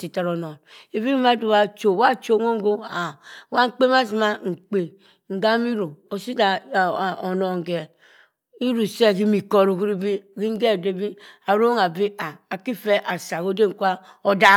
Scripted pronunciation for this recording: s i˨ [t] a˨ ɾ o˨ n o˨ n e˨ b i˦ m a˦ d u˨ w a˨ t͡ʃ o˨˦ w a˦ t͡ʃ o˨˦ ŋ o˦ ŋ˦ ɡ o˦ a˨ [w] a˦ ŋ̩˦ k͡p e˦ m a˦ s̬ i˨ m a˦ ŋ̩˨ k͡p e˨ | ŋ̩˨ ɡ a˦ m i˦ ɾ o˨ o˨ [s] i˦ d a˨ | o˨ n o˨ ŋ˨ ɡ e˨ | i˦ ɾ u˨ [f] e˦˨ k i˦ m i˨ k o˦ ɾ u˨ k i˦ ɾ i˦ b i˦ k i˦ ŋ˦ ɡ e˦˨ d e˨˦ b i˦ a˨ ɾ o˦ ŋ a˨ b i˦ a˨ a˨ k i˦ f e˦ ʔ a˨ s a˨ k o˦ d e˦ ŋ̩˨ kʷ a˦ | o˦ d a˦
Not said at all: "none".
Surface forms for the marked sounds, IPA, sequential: t, w, s, s

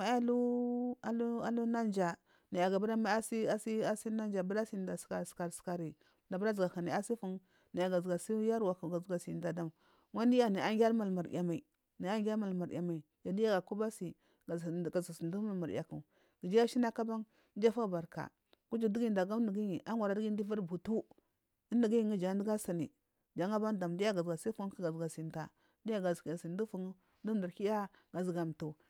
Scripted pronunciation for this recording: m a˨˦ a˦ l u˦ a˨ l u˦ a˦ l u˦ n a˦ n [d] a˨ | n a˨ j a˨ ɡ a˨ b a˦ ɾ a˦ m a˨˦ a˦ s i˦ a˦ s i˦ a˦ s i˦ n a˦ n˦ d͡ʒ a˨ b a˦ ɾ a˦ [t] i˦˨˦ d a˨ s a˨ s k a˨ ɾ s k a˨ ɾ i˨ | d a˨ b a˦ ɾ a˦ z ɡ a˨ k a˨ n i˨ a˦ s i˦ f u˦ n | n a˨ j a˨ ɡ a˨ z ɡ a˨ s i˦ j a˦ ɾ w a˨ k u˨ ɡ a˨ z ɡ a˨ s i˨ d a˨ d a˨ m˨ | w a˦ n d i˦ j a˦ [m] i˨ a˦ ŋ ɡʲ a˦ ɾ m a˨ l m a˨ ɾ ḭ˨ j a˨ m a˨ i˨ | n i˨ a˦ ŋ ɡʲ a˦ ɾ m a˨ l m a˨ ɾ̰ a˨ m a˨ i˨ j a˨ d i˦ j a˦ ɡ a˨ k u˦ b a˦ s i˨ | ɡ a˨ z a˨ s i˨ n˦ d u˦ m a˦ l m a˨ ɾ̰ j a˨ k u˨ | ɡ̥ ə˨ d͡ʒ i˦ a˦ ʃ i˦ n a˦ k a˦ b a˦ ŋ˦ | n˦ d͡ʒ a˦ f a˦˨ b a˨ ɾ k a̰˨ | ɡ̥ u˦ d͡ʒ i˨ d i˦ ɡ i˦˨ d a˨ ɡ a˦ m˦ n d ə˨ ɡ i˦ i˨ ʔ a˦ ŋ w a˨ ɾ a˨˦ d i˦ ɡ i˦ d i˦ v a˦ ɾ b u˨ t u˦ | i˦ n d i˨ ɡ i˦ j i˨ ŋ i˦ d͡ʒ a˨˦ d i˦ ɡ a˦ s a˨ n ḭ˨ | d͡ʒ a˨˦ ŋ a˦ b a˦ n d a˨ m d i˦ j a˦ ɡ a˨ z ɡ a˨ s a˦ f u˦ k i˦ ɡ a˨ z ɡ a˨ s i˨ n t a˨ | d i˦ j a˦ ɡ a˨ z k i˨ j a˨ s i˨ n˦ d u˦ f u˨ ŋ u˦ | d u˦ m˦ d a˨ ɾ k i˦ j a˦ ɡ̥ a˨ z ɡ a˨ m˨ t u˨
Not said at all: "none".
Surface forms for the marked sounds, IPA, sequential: d͡ʒ, s, n

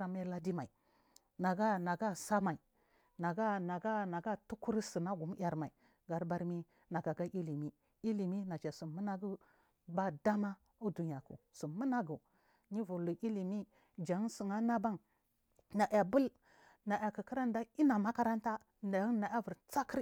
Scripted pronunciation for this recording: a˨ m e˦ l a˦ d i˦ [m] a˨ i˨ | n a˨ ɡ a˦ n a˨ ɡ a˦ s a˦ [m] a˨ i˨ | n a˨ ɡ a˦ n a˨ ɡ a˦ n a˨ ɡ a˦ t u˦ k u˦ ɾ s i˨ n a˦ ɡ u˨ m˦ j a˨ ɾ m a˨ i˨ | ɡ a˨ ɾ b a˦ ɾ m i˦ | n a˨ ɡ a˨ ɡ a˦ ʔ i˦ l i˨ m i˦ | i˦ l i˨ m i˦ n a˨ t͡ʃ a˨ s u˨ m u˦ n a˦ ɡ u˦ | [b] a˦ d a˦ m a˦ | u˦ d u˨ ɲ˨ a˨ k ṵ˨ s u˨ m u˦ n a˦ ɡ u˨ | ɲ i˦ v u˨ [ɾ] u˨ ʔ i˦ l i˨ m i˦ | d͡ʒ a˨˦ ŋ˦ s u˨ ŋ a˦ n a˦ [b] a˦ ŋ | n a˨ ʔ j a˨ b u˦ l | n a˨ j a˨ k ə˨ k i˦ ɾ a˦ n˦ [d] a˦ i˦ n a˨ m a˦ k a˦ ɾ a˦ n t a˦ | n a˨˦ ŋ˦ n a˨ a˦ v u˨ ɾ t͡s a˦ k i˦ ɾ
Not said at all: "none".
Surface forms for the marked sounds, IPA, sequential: m, m, b, l, b, d

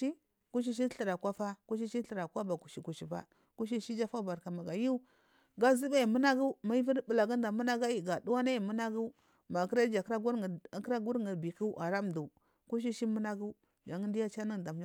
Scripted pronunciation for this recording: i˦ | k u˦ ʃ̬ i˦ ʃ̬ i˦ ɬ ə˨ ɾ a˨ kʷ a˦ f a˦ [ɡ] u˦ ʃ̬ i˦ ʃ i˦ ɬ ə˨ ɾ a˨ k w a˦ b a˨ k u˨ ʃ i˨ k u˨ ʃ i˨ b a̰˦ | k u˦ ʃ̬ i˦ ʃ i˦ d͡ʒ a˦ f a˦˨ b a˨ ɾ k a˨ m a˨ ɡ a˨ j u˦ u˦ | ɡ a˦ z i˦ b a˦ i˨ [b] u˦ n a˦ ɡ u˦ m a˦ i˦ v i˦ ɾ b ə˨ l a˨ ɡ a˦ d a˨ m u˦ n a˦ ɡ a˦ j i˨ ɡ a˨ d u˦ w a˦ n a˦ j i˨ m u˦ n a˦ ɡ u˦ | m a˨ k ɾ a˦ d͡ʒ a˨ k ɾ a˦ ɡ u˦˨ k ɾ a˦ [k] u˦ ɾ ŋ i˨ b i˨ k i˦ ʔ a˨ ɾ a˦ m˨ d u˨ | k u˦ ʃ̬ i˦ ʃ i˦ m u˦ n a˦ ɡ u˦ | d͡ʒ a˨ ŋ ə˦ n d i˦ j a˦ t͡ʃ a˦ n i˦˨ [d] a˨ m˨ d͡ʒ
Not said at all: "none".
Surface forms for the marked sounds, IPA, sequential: k, m, ɡ, d

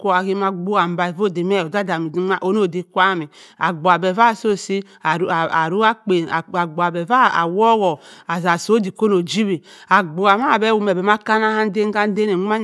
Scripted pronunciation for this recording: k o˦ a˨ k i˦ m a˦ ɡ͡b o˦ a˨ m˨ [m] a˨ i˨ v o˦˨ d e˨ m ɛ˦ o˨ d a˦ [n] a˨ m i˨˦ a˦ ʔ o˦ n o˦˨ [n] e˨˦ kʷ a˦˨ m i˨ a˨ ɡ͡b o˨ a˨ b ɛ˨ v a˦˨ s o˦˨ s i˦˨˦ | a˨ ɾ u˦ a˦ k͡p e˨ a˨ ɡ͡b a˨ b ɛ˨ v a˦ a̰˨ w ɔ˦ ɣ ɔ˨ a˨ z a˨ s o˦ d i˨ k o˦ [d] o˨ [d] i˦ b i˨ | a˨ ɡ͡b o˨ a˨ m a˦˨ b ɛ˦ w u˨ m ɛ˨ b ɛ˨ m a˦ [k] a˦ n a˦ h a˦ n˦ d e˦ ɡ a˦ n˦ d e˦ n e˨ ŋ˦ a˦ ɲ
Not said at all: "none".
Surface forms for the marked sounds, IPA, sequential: b, d, d, n, d͡ʒ, k

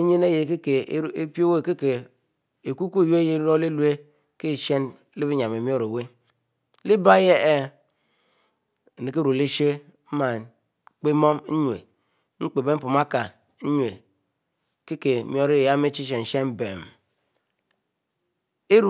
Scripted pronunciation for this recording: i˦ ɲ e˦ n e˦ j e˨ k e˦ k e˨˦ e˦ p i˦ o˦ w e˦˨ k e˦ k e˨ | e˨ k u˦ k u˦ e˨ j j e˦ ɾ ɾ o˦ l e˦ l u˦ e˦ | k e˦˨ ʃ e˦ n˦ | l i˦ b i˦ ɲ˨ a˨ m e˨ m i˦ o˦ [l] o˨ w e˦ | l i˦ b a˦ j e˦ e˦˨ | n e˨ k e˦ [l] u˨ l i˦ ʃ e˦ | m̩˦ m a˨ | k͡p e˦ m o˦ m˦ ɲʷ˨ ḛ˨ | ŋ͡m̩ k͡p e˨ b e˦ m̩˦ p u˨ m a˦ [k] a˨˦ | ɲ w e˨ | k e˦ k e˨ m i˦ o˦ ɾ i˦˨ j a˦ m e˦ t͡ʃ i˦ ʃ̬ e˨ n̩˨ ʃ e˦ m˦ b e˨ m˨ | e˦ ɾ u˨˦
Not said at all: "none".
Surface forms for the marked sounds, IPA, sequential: ɾ, ɾ, k

